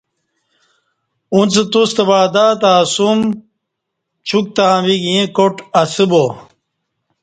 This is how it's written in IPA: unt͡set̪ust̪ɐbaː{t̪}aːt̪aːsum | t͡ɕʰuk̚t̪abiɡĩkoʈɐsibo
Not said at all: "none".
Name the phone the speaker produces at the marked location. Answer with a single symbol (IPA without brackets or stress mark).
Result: d̪